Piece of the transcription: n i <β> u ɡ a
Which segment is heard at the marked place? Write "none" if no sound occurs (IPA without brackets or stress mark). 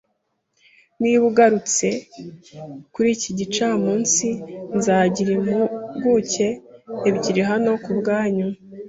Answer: β